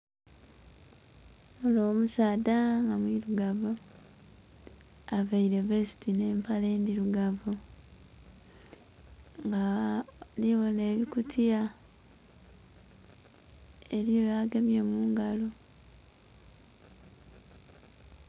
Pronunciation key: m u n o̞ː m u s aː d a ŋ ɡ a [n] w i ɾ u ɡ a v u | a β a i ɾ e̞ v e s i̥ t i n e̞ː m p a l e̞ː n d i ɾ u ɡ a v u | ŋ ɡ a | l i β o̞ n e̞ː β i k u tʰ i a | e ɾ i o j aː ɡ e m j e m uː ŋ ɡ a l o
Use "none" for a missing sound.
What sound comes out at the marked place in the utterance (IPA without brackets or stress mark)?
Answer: m